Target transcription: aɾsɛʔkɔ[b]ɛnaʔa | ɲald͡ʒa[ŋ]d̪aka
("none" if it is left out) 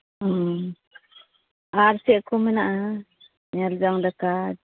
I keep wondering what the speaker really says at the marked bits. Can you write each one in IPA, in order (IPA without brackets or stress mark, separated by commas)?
m, ŋ